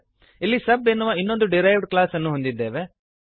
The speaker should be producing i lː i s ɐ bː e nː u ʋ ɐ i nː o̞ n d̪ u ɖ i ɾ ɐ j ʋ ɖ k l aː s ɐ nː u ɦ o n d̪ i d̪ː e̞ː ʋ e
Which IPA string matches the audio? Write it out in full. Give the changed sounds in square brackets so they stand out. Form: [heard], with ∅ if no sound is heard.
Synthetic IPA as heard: i lː i s ɐ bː e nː u ʋ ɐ i nː o̞ n d̪ u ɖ i ɾ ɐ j ʋ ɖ k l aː s ɐ nː u ɦ o n d̪ i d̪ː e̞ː ʋ e